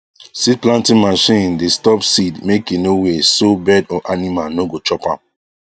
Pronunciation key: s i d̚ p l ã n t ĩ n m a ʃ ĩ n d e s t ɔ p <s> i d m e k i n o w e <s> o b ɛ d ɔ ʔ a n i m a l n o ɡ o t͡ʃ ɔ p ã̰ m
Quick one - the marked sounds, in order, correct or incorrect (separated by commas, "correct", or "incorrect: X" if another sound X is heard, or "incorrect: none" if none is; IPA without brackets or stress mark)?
correct, correct